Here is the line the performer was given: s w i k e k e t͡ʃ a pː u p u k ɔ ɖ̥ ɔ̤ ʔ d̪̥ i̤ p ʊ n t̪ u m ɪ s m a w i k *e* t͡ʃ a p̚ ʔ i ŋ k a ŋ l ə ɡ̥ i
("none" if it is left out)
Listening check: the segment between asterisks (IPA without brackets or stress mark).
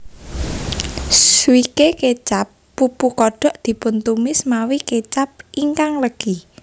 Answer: e